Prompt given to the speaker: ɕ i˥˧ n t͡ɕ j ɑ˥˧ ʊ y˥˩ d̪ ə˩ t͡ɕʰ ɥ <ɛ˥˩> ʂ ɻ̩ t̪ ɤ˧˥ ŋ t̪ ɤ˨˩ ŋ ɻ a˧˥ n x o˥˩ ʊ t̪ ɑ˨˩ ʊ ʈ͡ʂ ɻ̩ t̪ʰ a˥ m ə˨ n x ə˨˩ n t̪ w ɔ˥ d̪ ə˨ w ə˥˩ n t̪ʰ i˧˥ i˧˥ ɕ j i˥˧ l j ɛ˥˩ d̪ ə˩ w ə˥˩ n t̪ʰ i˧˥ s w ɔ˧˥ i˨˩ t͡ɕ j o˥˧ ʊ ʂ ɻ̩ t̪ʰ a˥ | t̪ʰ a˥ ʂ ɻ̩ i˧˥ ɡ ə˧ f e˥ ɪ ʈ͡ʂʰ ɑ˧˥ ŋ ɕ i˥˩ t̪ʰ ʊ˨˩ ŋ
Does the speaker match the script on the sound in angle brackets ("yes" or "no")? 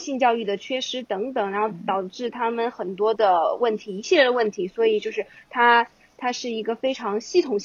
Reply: no